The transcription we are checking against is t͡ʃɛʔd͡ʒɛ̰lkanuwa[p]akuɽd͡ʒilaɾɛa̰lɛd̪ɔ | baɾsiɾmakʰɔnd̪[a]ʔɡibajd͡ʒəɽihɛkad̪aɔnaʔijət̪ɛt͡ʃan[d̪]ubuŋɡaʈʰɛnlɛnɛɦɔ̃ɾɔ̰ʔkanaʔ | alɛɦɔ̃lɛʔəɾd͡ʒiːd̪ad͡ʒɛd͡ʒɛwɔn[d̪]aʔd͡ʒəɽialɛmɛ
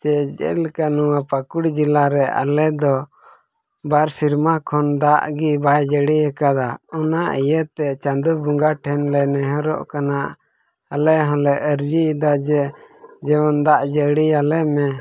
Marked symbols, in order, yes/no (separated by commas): yes, yes, yes, yes